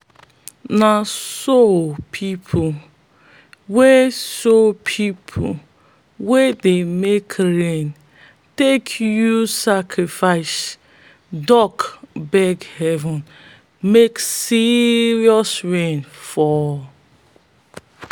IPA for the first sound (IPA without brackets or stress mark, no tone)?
n